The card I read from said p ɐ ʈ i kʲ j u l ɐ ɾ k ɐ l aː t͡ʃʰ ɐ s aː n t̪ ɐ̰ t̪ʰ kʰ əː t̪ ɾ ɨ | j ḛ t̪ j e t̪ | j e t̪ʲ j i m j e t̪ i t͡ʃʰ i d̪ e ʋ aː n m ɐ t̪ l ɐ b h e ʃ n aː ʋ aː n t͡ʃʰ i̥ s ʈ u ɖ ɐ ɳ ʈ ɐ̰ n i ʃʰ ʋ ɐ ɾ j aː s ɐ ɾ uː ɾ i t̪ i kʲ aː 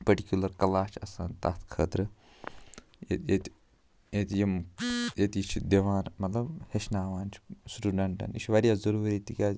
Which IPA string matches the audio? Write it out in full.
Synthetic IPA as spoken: p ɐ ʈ i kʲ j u l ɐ ɾ k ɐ l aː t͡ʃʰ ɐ s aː n t̪ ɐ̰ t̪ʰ kʰ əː t̪ ɾ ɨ | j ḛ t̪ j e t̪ | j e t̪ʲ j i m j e t̪ i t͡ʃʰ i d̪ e ʋ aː n m ɐ t̪ l ɐ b h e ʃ n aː ʋ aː n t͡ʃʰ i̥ s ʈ u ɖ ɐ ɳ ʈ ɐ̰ n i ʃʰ ʋ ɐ ɾ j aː z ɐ ɾ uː ɾ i t̪ i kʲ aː